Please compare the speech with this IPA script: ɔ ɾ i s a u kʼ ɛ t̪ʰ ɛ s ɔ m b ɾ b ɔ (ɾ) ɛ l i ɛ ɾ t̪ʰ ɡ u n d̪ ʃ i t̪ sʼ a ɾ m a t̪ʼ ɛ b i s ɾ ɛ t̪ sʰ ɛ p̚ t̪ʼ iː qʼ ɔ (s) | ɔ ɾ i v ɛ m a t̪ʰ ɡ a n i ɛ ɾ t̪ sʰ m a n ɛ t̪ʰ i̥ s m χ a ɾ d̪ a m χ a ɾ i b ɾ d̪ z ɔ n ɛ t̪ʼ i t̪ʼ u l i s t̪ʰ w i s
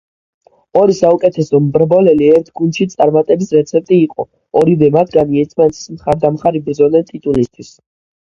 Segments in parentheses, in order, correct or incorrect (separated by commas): incorrect, incorrect